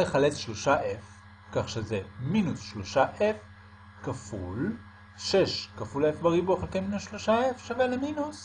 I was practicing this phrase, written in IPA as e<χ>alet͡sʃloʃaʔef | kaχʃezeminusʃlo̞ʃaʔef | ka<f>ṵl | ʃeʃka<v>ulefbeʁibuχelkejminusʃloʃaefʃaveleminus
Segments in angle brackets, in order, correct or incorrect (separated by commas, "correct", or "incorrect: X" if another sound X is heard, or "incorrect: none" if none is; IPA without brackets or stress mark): correct, correct, incorrect: f